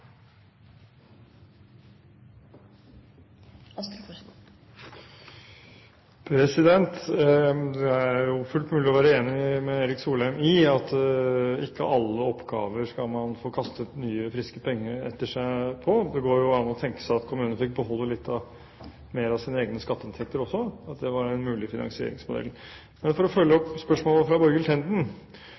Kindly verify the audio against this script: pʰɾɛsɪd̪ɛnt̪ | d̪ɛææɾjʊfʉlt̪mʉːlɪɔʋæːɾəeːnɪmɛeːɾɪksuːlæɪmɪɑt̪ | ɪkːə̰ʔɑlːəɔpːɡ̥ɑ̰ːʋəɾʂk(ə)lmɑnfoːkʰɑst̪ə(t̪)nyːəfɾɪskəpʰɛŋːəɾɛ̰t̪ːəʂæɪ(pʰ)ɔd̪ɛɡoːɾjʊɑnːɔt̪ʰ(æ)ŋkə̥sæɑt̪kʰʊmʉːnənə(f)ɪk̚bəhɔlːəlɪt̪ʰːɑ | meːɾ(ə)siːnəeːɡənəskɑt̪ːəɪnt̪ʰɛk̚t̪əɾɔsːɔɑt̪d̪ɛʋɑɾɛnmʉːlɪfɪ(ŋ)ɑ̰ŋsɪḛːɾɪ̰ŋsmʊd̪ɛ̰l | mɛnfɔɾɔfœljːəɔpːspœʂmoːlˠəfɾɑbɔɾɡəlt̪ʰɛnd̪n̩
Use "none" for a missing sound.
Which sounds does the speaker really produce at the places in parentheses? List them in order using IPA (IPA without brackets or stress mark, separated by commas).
ɑ, t̪, pʰ, ɛ, f, ɑ, n